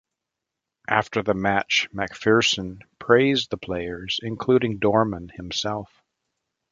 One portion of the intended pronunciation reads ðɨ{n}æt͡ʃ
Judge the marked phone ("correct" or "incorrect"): incorrect